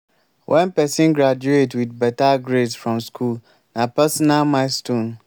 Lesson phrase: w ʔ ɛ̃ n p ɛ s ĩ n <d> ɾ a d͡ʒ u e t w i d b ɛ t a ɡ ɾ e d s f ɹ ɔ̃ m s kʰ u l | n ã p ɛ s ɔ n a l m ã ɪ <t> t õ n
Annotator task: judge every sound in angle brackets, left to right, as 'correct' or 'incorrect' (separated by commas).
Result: incorrect, incorrect